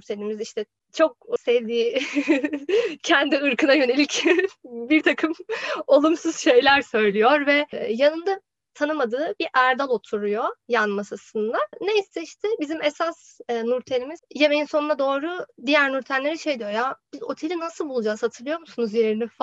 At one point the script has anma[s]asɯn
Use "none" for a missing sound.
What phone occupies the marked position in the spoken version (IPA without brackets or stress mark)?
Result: s